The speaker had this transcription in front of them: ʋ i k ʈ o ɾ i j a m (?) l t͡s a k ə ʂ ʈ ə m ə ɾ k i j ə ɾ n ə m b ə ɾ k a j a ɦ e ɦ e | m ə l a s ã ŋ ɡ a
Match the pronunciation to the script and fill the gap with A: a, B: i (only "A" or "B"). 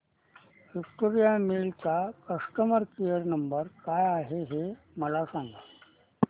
B